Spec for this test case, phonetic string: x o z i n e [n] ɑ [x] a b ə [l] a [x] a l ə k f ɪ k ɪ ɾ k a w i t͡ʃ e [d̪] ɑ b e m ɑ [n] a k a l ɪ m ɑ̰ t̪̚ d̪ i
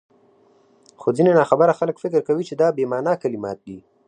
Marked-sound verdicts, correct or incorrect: correct, correct, incorrect: ɾ, correct, correct, correct

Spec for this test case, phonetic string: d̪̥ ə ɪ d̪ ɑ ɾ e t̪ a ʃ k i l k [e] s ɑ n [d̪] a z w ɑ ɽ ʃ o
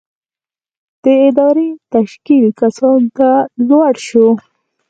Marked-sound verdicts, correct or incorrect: incorrect: a, incorrect: t̪

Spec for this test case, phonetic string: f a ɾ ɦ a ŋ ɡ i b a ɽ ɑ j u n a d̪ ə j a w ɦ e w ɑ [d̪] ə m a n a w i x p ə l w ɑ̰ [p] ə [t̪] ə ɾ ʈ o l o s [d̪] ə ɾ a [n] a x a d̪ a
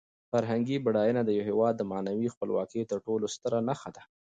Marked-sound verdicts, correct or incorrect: incorrect: d̪ː, incorrect: k, correct, incorrect: t̪, correct

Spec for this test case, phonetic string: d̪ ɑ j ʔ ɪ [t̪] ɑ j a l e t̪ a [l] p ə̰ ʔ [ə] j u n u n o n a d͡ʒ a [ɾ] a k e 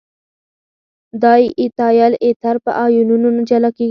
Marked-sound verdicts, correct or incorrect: correct, incorrect: ɾ, incorrect: ɑ, incorrect: l

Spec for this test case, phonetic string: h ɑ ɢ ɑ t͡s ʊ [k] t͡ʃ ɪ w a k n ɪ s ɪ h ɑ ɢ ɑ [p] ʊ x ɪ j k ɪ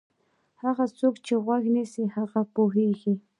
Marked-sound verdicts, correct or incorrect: correct, correct

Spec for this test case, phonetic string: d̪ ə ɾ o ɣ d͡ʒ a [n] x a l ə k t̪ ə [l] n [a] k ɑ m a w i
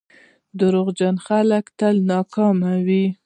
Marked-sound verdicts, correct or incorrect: correct, correct, incorrect: ɑ

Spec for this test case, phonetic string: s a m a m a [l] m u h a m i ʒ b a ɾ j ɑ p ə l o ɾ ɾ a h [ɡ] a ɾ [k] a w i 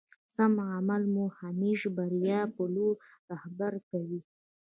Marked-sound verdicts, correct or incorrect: correct, incorrect: b, correct

